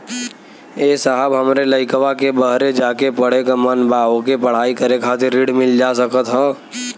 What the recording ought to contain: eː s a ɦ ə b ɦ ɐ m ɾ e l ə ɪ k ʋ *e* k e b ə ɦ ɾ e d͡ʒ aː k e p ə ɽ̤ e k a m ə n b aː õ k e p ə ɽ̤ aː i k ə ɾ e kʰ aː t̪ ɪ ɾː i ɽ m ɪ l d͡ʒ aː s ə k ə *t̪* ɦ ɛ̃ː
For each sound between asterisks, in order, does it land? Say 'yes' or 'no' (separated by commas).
no, yes